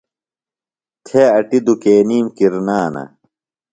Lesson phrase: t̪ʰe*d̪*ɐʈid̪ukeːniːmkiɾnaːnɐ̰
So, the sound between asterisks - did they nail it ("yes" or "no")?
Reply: no